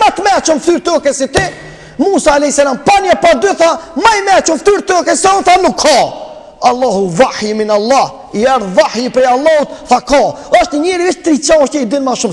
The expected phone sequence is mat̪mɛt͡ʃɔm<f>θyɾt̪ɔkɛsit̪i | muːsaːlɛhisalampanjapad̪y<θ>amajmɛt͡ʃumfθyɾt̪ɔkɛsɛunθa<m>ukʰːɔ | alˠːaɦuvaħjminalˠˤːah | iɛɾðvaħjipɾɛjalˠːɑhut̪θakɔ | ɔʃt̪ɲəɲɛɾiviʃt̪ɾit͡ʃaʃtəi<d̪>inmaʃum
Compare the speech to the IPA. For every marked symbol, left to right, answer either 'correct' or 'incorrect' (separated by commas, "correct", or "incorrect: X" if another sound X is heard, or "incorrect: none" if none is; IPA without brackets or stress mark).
correct, correct, incorrect: n, correct